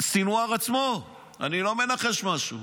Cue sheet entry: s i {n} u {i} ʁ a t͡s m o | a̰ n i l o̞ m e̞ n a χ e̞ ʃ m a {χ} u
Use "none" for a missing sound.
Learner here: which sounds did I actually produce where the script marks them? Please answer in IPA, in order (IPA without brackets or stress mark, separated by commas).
n, a, ʃ